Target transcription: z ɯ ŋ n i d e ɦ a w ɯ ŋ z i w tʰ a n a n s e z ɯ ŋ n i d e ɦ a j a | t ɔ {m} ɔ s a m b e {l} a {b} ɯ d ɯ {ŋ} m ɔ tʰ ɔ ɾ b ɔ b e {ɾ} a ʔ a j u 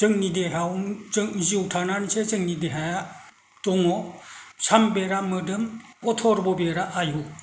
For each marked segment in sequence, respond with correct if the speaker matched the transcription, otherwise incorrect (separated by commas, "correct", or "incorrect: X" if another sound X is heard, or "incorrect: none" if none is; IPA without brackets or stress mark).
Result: incorrect: ŋ, incorrect: ɾ, incorrect: m, incorrect: none, correct